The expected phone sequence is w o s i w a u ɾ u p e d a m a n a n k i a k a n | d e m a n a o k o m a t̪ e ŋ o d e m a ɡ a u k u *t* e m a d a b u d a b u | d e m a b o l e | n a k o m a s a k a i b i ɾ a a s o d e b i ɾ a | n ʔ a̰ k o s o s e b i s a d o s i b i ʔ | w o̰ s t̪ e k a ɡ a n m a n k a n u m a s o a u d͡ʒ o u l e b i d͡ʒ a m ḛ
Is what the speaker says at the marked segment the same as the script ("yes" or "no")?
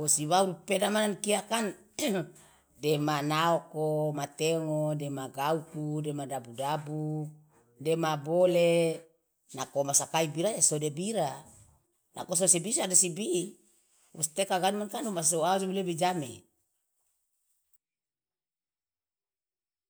no